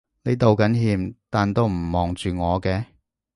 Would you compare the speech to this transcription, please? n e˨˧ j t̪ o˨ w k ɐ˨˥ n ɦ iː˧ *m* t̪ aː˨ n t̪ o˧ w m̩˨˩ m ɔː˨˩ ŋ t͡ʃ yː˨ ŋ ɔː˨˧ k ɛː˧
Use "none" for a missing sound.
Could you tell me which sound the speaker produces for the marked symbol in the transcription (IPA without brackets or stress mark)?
m